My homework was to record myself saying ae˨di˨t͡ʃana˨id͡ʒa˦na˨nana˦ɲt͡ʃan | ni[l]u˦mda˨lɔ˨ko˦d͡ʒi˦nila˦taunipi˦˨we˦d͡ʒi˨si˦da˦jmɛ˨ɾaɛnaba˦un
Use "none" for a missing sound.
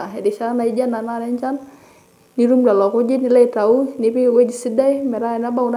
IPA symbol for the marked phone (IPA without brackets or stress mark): ɾ